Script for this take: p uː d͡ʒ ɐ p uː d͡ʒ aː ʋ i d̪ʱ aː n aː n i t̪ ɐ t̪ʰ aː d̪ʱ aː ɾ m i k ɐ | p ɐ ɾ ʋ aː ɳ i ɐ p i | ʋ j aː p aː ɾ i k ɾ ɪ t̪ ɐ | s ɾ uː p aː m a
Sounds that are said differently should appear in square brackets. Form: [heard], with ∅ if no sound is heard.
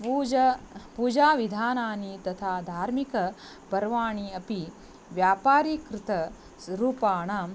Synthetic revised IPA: p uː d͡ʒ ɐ p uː d͡ʒ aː ʋ i d̪ʱ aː n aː n i t̪ ɐ t̪ʰ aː d̪ʱ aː ɾ m i k ɐ | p ɐ ɾ ʋ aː ɳ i ɐ p i | ʋ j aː p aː ɾ i k ɾ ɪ t̪ ɐ | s ɾ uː p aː [ɳ] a